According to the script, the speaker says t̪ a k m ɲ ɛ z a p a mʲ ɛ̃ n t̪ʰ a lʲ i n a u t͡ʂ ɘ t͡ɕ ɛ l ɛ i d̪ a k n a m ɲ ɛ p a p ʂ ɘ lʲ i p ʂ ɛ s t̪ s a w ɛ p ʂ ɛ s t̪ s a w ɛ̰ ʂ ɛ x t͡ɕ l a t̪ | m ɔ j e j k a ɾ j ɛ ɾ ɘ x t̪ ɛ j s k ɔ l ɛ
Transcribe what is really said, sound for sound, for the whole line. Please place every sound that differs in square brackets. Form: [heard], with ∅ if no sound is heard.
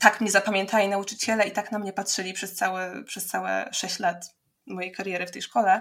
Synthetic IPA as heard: t̪ a k m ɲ ɛ z a p a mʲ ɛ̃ n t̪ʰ a lʲ i n a u t͡ʂ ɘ t͡ɕ ɛ l ɛ i [t̪] a k n a m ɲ ɛ p a [t] ʂ ɘ lʲ i p ʂ ɛ s t̪ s a w ɛ p ʂ ɛ s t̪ s a w ɛ̰ ʂ ɛ [ɕ] t͡ɕ l a t̪ | m ɔ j e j k a ɾ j ɛ ɾ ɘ [f] t̪ ɛ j [ʂ] k ɔ l ɛ